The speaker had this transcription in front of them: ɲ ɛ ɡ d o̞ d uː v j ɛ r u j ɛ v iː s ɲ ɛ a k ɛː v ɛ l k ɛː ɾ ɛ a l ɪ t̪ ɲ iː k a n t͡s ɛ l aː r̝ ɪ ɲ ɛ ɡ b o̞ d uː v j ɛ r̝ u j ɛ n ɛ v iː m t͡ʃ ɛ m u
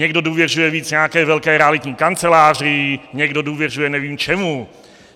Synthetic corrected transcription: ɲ ɛ ɡ d o̞ d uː v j ɛ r u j ɛ v iː t͡s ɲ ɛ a k ɛː v ɛ l k ɛː ɾ ɛ a l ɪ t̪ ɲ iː k a n t͡s ɛ l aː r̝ ɪ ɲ ɛ ɡ d o̞ d uː v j ɛ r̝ u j ɛ n ɛ v iː m t͡ʃ ɛ m u